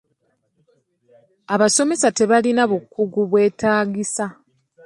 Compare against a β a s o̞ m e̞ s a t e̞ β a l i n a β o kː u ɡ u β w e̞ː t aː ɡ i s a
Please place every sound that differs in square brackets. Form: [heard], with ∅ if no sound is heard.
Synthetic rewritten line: a β a s o̞ m e̞ s a t e̞ β a l i n a β [u] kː u ɡ u β w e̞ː t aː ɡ i s a